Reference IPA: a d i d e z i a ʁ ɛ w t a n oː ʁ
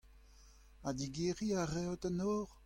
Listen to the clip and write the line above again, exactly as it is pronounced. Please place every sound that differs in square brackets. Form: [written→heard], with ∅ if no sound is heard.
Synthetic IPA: a d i [d→ɡ] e [z→ʁ] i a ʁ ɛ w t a n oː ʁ